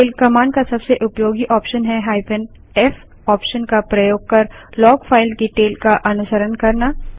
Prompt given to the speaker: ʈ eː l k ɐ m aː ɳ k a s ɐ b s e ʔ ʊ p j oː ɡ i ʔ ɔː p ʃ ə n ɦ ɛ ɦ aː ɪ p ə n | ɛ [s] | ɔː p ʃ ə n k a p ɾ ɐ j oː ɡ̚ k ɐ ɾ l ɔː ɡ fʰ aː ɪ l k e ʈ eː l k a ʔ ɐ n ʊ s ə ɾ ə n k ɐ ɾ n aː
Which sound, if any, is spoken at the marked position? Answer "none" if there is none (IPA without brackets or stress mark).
f